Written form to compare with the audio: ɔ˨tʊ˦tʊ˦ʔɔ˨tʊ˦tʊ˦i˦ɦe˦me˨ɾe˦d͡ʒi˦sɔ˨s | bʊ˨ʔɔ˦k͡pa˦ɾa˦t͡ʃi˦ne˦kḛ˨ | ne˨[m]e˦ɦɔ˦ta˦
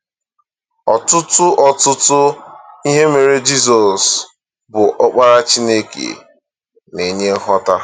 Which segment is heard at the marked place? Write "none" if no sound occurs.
ɲ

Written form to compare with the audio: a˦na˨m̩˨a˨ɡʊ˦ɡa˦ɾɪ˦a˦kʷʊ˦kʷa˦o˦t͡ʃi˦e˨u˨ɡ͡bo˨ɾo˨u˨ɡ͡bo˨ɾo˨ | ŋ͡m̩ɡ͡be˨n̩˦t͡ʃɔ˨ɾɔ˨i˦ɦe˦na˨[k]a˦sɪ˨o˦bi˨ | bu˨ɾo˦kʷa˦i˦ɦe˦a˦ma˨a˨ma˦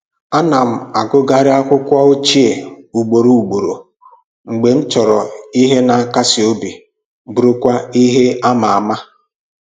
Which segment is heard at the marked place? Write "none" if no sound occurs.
k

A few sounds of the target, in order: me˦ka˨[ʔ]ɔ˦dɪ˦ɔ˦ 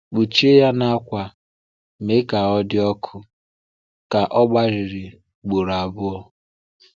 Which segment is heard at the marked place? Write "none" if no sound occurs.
none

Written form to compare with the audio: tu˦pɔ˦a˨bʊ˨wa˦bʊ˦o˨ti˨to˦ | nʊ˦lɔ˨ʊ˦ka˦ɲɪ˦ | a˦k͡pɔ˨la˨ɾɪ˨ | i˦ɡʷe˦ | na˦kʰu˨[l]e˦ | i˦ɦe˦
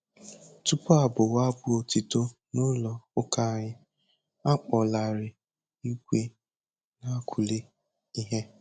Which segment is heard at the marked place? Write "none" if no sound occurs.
l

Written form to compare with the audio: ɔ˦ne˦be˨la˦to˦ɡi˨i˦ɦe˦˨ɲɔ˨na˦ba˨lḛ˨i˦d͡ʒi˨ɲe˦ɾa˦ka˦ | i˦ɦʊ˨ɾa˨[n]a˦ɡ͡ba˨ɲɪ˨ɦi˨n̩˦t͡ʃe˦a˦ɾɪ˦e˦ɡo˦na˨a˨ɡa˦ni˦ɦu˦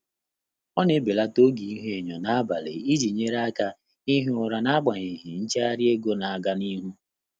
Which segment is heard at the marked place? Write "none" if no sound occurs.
n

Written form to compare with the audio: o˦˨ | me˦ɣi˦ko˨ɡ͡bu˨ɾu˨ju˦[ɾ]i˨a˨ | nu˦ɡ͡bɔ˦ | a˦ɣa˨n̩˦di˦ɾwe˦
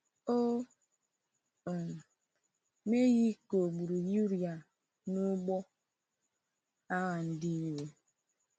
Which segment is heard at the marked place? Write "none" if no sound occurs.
ɾ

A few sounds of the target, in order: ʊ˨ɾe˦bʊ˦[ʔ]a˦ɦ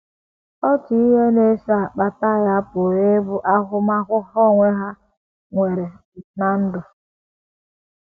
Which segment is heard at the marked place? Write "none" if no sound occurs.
ʔ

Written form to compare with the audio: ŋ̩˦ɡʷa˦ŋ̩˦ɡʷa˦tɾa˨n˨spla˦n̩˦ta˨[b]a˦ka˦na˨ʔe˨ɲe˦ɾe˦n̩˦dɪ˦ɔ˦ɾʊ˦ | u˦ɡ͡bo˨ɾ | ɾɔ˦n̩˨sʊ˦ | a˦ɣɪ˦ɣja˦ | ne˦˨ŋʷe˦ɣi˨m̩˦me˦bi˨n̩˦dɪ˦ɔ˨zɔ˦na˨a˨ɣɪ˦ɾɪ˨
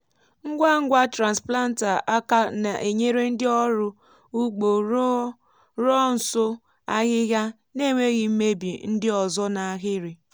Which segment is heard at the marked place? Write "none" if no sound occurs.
none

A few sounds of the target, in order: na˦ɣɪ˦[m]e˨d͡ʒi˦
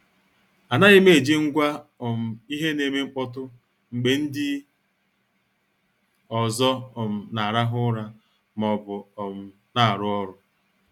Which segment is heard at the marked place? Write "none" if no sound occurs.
m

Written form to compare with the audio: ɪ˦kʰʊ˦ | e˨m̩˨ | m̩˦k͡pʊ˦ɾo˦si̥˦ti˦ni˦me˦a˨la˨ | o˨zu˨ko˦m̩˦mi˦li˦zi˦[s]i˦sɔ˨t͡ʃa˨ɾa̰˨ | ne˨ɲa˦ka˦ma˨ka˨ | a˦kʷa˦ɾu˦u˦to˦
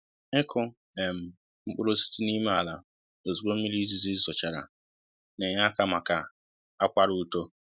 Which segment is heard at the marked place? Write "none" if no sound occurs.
z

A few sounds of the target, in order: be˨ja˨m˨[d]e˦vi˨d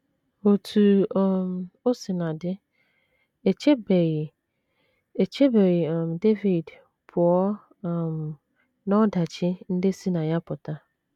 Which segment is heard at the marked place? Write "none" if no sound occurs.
d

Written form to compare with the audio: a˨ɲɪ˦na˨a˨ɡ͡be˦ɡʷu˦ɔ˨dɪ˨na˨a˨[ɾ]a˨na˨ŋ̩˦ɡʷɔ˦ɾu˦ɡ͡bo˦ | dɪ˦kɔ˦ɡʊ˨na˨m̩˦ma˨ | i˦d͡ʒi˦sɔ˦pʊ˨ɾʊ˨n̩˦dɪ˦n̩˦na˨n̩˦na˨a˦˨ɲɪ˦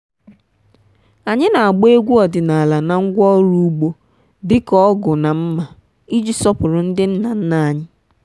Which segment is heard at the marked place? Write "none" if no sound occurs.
l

